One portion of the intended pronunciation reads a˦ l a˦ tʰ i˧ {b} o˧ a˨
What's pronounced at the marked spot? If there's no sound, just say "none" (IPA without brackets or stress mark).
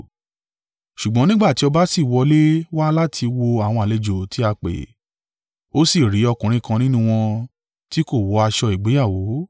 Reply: w